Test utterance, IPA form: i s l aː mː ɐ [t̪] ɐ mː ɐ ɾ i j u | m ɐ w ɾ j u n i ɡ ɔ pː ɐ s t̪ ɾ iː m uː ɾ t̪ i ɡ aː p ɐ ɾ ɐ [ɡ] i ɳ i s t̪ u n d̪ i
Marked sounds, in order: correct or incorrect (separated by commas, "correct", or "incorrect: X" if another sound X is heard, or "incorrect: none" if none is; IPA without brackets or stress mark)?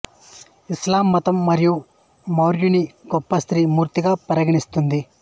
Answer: correct, correct